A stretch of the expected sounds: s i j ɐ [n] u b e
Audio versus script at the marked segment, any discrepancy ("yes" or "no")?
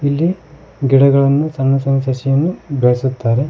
yes